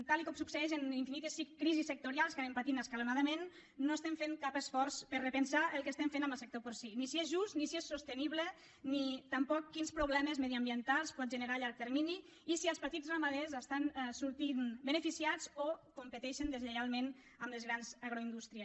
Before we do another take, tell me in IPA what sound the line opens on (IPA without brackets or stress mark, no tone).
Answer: t̪